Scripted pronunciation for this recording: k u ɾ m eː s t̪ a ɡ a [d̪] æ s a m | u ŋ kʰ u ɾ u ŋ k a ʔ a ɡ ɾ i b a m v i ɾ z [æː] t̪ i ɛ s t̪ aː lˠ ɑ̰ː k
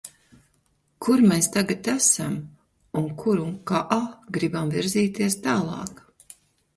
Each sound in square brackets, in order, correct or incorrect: incorrect: t̪, incorrect: iː

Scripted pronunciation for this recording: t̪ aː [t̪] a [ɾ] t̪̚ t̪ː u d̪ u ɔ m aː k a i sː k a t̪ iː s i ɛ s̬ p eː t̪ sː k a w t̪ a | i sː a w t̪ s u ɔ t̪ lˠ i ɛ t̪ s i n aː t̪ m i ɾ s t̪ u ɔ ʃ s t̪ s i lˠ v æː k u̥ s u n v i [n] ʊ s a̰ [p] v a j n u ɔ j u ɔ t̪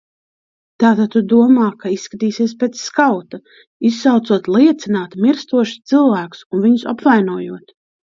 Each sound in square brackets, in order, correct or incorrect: correct, incorrect: none, incorrect: ɲ, correct

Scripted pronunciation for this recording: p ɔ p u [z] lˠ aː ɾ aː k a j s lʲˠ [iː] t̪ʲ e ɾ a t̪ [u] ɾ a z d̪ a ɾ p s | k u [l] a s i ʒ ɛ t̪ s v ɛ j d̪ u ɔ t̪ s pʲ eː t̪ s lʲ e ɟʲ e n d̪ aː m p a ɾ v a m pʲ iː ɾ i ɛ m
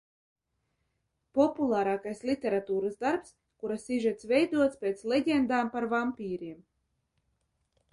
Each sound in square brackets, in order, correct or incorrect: incorrect: none, incorrect: i, incorrect: uː, incorrect: ɾ

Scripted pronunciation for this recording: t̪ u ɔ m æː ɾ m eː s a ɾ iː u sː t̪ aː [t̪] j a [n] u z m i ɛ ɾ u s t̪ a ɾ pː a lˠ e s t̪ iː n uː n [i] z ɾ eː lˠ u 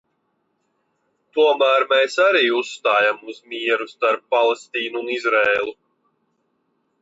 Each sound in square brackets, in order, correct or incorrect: incorrect: none, incorrect: m, correct

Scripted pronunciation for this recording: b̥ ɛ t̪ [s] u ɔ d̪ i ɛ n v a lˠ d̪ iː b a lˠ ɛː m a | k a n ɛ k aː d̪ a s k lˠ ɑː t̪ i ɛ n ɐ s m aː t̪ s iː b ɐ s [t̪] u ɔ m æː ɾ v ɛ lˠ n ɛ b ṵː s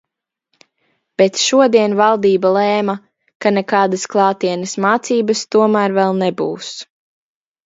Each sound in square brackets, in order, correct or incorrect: incorrect: ʃ, correct

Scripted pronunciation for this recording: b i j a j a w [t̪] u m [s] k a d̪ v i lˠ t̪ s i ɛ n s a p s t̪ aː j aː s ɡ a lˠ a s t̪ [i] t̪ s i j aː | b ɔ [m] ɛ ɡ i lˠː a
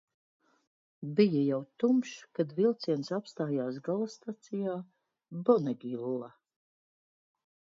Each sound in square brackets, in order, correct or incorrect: correct, incorrect: ʃ, incorrect: a, incorrect: n

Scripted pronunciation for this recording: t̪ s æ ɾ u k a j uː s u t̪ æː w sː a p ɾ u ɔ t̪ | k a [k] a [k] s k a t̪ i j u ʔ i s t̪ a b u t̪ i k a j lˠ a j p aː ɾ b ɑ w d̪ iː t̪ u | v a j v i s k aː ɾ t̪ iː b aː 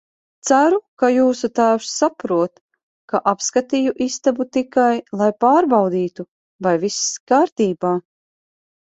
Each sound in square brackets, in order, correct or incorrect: incorrect: ʔ, incorrect: p

